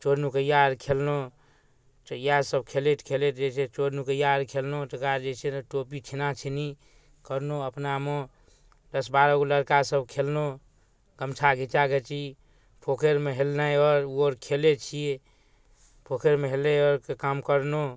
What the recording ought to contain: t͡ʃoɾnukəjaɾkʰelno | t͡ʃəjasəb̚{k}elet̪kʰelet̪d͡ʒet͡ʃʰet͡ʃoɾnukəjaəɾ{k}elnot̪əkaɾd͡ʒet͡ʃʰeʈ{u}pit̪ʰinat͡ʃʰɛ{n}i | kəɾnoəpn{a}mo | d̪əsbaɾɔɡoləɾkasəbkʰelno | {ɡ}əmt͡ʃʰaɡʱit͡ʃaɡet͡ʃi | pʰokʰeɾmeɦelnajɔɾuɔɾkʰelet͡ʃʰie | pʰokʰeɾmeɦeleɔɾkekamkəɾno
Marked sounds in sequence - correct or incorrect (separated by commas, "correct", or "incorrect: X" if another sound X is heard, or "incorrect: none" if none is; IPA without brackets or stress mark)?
incorrect: kʰ, incorrect: kʰ, incorrect: o, correct, correct, correct